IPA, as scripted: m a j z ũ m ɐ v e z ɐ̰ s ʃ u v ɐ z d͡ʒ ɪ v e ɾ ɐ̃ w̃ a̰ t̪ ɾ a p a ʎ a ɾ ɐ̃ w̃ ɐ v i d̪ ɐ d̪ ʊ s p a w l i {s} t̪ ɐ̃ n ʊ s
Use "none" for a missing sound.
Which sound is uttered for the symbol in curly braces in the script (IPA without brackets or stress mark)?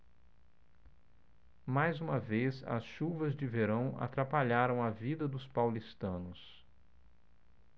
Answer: s